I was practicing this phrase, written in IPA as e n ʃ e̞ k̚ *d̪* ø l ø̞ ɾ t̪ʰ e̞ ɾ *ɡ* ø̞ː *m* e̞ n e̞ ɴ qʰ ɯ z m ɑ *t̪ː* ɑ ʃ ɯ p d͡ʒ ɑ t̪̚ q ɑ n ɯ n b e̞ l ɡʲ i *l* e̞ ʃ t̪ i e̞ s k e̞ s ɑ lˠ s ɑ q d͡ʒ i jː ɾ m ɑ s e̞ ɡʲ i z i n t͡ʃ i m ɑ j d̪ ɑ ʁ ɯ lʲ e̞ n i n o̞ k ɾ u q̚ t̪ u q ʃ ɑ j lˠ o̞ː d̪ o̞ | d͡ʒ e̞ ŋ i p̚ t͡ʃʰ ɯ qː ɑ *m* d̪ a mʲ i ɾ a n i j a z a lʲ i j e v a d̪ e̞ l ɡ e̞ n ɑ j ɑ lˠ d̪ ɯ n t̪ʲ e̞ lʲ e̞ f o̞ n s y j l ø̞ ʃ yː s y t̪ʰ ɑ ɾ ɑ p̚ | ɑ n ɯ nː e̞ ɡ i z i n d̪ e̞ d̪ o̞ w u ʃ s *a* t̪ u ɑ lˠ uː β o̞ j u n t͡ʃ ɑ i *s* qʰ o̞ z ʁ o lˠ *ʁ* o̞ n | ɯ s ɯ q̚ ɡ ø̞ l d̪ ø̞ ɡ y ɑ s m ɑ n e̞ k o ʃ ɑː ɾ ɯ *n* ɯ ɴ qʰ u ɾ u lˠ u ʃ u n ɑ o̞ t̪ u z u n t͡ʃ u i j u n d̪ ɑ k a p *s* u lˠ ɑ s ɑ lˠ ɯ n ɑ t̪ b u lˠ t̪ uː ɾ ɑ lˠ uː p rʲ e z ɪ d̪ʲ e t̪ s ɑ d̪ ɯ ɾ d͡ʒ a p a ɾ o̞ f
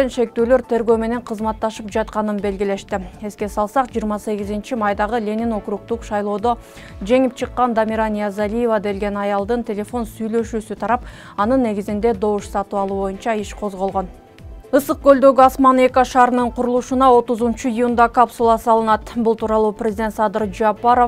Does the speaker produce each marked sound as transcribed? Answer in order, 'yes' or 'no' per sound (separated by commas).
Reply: no, yes, yes, yes, yes, no, no, no, yes, yes, yes